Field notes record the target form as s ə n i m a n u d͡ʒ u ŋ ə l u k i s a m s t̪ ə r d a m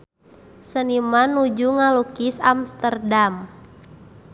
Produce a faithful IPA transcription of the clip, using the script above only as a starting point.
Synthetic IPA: s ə n i m a n u d͡ʒ u ŋ a l u k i s a m s t̪ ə r d a m